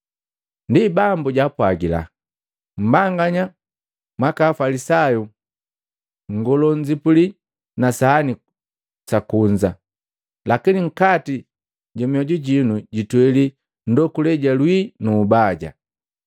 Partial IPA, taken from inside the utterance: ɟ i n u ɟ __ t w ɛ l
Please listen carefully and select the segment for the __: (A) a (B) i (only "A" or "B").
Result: B